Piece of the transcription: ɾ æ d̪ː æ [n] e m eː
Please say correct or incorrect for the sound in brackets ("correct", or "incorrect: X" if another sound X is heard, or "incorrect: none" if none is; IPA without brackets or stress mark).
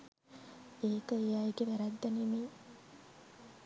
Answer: correct